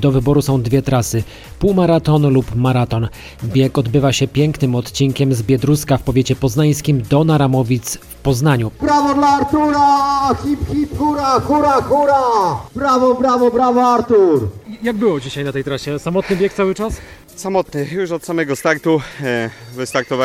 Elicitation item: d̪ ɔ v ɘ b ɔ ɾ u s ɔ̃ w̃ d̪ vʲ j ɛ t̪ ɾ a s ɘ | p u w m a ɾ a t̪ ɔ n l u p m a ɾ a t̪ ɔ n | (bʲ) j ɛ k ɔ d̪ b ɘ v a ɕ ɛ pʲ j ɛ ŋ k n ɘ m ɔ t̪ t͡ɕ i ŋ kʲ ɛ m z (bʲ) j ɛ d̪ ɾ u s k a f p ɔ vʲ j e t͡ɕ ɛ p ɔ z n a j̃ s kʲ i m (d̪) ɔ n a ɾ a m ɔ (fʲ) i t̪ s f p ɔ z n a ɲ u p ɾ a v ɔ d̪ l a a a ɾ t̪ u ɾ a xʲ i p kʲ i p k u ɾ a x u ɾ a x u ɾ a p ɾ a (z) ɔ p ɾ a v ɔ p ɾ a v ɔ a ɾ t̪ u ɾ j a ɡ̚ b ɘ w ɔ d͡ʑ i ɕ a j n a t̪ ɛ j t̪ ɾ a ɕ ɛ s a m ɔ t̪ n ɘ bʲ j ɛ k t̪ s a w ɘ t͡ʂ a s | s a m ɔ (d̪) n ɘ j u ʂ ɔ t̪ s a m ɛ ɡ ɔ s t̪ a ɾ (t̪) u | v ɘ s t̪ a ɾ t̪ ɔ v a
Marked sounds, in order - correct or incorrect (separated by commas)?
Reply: correct, correct, correct, incorrect, incorrect, incorrect, correct